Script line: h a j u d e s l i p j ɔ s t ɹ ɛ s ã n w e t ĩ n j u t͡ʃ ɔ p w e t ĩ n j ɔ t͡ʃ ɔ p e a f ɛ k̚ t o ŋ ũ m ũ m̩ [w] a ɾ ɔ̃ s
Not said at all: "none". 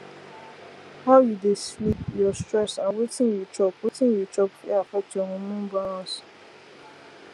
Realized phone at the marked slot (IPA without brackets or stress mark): b